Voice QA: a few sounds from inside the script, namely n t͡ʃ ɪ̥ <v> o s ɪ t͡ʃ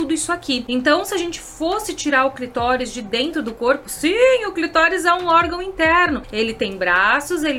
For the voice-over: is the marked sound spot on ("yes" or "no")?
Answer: no